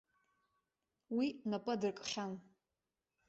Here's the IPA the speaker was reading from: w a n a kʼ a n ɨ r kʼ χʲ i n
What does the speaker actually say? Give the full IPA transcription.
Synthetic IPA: w i n a pʼ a d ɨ r kʼ χʲ a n

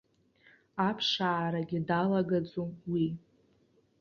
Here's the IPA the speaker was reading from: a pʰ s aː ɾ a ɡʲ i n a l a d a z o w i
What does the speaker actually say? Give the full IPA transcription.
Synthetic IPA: a pʰ ʂ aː ɾ a ɡʲ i d a l a ɡ a d͡z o w i

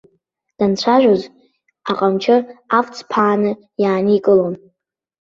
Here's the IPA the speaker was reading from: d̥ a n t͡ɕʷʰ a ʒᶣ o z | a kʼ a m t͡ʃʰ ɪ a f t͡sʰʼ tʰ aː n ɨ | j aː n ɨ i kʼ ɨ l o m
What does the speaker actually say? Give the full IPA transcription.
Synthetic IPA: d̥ a n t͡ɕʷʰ a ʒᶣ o z | a qʼ a m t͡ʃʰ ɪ a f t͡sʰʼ pʰ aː n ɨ | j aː n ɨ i kʼ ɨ l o n

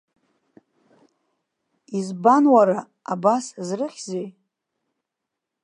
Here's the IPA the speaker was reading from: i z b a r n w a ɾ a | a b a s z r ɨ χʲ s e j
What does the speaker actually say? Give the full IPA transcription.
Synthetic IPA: i z b a n w a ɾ a | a b a s z r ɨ χʲ z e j

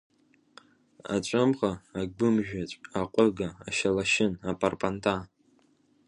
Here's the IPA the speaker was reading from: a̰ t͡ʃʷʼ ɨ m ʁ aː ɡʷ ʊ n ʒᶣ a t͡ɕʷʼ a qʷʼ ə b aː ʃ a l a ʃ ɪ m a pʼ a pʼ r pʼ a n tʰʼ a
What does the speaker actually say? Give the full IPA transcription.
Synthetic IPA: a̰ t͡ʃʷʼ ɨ m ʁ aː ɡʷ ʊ m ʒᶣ a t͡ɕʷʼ a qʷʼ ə ɡ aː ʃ a l a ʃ ɪ n a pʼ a r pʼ a n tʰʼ a

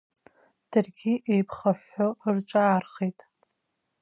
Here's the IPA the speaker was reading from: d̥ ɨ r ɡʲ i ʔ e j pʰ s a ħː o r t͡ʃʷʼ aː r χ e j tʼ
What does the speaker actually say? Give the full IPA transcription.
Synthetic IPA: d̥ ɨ r ɡʲ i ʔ e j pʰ χ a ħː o r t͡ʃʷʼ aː r χ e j tʼ

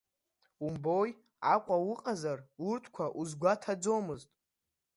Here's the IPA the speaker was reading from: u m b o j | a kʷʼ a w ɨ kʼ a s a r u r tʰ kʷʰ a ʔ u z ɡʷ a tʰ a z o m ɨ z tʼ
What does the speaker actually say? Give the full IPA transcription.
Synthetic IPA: u m b o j | a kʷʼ a w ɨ qʼ a z a r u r tʰ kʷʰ a ʔ u z ɡʷ a tʰ a d͡z o m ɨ z tʼ

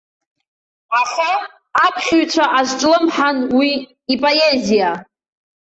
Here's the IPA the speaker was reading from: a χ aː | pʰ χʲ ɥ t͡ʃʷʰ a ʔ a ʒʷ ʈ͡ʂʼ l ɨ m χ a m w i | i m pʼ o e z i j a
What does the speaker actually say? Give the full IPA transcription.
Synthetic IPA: a χ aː | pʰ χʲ ɥ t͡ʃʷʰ a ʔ a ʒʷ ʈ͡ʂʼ l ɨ m ħ a n w i | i pʼ o e z i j a

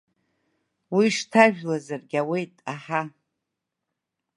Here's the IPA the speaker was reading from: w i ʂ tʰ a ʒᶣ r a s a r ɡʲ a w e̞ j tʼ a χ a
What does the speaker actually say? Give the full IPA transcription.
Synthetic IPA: w i ʂ tʰ a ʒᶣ l a z a r ɡʲ a w e̞ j tʼ a ħ a

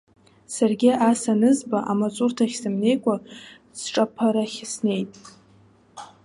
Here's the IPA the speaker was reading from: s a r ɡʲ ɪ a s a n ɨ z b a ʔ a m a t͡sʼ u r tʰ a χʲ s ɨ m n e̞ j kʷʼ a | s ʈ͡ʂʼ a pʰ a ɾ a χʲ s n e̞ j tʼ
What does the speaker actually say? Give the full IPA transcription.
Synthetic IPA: s a r ɡʲ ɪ a s a n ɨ z b a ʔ a m a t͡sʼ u r tʰ a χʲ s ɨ m n e̞ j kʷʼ a | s ʈ͡ʂʼ a pʰ a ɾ a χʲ s n e̞ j tʼ

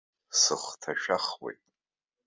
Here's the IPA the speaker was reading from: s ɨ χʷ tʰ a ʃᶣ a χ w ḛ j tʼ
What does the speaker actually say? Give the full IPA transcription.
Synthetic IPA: s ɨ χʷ tʰ a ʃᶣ a χ w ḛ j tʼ

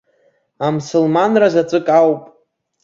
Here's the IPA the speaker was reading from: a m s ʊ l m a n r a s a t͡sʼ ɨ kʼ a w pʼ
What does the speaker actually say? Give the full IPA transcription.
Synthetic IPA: a m s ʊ l m a n r a z a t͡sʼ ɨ kʼ a w pʼ

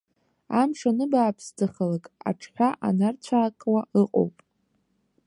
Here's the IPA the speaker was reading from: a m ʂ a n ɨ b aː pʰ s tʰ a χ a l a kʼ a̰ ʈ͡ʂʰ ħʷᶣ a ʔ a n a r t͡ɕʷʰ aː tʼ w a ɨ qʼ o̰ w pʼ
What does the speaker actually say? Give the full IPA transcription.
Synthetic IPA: a m ʂ a n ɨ b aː pʰ s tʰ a χ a l a kʼ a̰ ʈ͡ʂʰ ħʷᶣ a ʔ a n a r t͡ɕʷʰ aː kʼ w a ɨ qʼ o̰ w pʼ

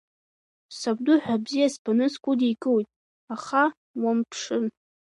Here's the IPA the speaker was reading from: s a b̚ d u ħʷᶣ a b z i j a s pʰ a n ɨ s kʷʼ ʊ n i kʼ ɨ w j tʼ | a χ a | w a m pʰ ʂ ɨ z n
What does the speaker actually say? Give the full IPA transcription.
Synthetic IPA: s a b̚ d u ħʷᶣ a b z i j a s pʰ a n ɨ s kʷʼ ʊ d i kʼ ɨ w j tʼ | a χ a | w a m pʰ ʂ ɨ n

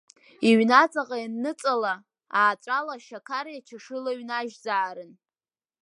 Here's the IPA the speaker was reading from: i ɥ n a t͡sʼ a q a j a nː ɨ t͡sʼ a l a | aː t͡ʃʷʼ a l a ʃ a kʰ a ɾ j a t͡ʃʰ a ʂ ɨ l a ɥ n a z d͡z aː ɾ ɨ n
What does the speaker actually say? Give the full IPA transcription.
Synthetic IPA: i ɥ n a t͡sʼ a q a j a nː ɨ t͡sʼ a l a | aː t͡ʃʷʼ a l a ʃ a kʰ a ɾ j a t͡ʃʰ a ʂ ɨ l a ɥ n a ʒ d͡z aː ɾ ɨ n

